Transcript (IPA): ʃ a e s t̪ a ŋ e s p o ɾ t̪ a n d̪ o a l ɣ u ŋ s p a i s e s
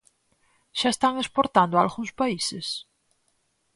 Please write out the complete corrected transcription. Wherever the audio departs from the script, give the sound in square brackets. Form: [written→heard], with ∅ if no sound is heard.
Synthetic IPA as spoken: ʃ a e s t̪ a ŋ e s p o ɾ t̪ a n d̪ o a l ɣ u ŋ s p a i s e s